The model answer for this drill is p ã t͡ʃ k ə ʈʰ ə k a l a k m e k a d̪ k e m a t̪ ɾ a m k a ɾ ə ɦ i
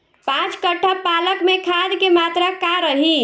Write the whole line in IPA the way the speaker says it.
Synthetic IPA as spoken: p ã t͡ʃ k ə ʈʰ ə p a l ə k m e kʰ a d̪ k e m a t̪ ɾ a k a ɾ ə ɦ i